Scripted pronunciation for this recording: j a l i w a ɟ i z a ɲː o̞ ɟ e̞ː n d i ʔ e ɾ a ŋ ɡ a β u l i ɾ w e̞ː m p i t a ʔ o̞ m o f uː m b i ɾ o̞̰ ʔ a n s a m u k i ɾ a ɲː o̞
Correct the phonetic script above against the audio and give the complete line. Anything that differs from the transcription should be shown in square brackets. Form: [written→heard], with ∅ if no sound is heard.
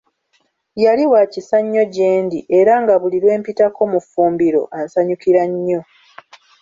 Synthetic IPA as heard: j a l i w a [ɟ→c] i [z→s] a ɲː o̞ ɟ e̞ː n d i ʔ e ɾ a ŋ ɡ a β u l i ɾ w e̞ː m p i t a [ʔ→k] o̞ m [o→u] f uː m b i ɾ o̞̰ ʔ a n s a [m→ɲ] u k i ɾ a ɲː o̞